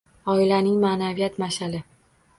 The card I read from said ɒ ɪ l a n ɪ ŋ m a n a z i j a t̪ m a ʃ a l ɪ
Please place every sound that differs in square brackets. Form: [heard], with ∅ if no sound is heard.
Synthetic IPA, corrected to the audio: ɒ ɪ l a n ɪ ŋ m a n a [v] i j a t̪ m a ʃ a l ɪ